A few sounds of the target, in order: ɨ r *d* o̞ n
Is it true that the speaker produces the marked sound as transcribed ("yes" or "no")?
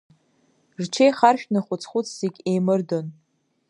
yes